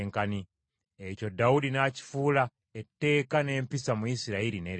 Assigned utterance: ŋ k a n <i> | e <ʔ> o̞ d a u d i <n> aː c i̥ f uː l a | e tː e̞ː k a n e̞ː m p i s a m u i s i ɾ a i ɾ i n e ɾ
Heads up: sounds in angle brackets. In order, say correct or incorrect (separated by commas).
correct, incorrect, correct